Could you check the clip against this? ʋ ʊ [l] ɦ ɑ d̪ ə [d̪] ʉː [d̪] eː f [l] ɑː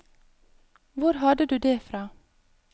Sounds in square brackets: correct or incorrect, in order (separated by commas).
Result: incorrect, correct, correct, incorrect